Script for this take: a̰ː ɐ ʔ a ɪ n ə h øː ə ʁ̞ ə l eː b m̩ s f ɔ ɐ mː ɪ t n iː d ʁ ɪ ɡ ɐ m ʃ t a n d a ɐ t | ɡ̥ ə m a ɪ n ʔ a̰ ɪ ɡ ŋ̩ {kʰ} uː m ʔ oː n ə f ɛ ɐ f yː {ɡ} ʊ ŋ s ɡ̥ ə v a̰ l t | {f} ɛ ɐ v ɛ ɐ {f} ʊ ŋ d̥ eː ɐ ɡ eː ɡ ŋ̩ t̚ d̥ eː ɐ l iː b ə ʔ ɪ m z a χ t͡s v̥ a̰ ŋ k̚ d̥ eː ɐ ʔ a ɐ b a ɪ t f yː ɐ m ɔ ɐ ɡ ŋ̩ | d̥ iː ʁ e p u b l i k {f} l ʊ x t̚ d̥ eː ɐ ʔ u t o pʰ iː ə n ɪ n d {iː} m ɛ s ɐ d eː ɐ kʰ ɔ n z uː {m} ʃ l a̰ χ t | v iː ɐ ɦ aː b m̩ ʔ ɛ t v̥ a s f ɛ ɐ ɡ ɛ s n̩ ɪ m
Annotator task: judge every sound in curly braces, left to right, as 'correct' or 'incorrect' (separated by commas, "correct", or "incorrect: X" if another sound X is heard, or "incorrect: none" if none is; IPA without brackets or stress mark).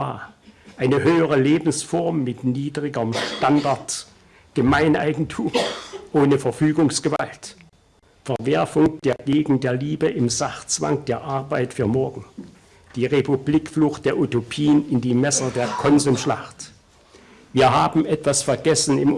incorrect: tʰ, correct, correct, correct, correct, correct, correct